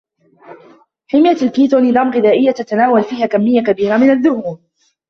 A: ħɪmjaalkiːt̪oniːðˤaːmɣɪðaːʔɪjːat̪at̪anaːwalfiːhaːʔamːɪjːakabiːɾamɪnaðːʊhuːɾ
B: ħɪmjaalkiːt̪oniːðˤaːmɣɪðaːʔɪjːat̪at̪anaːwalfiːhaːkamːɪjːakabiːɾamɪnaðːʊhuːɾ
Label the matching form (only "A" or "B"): B